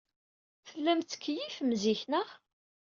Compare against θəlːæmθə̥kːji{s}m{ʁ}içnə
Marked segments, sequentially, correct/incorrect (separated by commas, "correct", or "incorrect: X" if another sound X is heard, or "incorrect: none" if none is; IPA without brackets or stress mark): incorrect: f, incorrect: z